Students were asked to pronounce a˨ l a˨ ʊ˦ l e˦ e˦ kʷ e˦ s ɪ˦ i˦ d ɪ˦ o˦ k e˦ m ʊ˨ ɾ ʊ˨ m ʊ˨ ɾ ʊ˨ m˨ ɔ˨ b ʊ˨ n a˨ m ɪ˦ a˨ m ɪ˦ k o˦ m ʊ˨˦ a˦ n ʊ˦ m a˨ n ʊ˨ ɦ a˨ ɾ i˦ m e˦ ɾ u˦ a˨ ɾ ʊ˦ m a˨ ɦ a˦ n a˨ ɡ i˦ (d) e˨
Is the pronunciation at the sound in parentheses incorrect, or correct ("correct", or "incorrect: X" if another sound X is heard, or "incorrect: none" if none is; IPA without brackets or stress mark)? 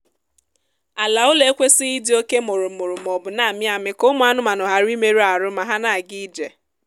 incorrect: d͡ʒ